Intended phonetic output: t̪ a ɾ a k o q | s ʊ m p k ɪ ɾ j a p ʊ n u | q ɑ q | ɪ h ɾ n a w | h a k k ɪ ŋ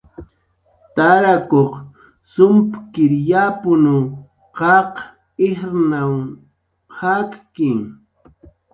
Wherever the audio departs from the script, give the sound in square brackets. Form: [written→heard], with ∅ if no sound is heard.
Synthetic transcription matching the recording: t̪ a ɾ a k o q | s ʊ m p k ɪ ɾ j a p ʊ n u | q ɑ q | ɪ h ɾ n a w | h a k k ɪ ŋ